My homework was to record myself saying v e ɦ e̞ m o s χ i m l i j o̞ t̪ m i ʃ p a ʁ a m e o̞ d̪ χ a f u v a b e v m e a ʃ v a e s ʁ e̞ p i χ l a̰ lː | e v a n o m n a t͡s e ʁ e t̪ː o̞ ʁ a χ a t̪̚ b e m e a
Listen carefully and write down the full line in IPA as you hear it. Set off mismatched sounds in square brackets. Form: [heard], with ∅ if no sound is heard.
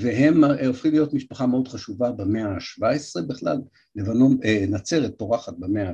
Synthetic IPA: v e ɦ e̞ m o [f] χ i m l i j o̞ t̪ m i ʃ p a [χ] a m e o̞ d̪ χ a [ʃ] u v a b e [∅] m e a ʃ v a e s ʁ e̞ [b] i χ l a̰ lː | e v a n o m n a t͡s e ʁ e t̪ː o̞ ʁ a χ a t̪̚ b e m e a